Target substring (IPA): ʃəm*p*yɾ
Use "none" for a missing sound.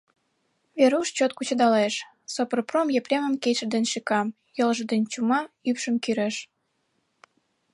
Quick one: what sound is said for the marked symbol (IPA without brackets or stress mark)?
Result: k